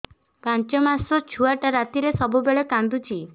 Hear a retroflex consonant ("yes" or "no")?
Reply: yes